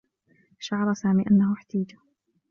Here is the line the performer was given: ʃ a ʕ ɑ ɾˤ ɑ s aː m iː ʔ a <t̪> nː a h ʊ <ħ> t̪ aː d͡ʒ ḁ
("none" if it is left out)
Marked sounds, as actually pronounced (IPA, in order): none, ħ

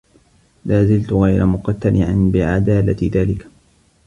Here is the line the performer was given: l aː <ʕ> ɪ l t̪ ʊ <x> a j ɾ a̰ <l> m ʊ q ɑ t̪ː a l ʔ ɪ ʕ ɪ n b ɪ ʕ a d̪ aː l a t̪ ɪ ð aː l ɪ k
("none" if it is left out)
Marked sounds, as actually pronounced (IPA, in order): z, ɣ, none

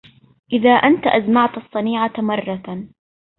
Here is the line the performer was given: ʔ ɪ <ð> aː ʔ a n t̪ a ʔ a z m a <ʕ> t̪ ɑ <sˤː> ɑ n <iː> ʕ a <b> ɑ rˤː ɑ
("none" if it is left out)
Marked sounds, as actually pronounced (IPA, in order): ð, ʕ, sˤː, iː, m

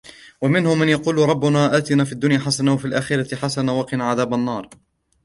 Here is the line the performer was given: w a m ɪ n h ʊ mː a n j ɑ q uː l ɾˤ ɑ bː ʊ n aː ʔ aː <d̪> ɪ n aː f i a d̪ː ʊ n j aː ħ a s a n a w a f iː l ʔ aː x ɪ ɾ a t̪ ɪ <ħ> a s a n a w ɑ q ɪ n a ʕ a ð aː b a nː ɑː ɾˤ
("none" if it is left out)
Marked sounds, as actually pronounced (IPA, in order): t̪, ħ

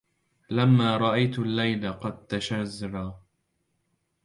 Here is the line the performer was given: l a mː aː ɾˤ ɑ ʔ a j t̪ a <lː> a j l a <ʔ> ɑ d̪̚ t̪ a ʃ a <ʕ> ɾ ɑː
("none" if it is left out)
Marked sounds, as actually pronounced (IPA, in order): lː, q, z

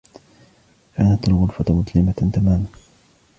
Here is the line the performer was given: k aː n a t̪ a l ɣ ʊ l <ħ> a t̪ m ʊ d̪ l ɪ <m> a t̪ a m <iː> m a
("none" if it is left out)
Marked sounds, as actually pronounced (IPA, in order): f, m, aː

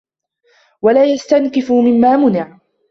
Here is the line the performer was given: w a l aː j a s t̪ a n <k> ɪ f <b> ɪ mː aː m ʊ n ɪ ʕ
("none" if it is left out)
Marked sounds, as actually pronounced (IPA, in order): k, m

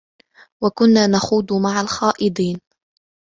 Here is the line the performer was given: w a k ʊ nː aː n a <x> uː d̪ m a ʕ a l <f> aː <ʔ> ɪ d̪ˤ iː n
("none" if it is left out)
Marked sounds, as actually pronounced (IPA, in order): x, x, ʔ

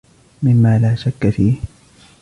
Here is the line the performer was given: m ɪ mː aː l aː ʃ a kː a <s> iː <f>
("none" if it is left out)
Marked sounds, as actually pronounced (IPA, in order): f, h

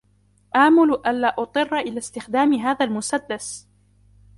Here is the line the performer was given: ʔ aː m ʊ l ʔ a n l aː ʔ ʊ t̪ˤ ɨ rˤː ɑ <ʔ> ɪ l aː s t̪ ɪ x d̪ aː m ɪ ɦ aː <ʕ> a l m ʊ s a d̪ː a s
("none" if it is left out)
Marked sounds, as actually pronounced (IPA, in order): ʔ, ð

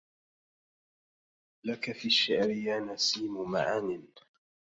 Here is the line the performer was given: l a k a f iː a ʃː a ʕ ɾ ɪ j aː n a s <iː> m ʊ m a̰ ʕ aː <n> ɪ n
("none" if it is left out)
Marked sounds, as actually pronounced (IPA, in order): iː, n

